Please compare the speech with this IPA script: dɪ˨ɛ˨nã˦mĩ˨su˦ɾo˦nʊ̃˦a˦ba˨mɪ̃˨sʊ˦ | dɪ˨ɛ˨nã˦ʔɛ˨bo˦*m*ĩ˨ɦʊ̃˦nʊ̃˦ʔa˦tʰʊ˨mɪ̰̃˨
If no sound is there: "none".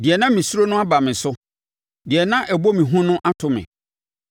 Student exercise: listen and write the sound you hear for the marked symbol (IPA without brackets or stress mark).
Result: m